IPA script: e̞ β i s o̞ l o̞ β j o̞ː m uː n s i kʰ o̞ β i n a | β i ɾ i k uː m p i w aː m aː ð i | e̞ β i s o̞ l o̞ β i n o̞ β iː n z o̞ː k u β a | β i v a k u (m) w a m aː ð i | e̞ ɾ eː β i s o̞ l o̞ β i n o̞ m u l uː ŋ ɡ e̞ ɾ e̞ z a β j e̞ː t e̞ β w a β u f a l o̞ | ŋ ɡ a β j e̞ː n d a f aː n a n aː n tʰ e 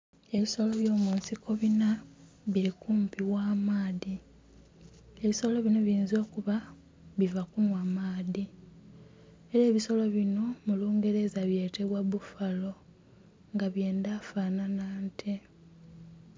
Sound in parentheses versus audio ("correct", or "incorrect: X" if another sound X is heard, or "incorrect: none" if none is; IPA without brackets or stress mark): incorrect: n